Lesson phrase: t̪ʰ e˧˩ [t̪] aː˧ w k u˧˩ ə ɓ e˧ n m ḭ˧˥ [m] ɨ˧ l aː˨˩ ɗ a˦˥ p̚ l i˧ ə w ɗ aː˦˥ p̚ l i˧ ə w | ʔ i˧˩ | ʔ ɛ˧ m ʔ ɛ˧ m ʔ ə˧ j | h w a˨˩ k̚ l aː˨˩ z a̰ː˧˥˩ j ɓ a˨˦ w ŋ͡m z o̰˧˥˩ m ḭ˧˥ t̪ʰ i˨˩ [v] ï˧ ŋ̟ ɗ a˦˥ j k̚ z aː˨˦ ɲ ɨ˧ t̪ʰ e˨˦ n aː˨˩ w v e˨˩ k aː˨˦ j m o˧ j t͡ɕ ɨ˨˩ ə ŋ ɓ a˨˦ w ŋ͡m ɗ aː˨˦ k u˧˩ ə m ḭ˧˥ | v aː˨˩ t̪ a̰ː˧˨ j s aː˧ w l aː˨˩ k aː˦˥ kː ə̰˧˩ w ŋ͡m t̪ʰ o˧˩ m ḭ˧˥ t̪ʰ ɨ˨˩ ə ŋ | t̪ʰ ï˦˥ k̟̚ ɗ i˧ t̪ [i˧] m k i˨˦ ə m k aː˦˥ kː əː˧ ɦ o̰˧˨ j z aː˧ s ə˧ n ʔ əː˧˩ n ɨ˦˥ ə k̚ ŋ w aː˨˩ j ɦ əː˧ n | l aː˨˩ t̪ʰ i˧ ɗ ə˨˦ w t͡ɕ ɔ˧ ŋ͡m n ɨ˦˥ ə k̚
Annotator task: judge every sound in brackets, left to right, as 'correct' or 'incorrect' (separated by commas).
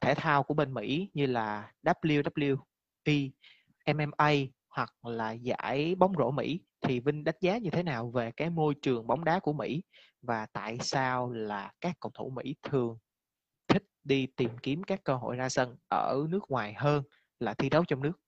incorrect, incorrect, correct, incorrect